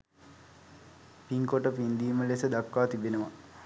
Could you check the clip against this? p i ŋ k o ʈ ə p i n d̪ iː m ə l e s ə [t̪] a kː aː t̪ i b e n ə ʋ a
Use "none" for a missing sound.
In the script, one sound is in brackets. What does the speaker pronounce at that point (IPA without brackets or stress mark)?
d̪